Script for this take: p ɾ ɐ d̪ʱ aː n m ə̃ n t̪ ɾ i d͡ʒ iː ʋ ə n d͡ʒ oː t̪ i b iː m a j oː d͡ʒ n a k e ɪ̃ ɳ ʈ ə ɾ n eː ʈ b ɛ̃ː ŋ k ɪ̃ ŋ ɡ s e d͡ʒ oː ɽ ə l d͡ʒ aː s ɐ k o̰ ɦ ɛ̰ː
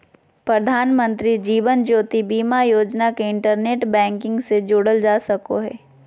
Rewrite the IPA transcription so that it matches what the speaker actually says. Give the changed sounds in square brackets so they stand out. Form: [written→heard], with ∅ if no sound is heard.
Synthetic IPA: p ɾ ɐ d̪ʱ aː n m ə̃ n t̪ ɾ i d͡ʒ iː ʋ ə n d͡ʒ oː t̪ i b iː m a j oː d͡ʒ n a k e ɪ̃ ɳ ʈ ə ɾ n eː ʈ b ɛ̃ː ŋ k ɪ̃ ŋ ɡ s e d͡ʒ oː ɽ ə l d͡ʒ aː s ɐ k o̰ ɦ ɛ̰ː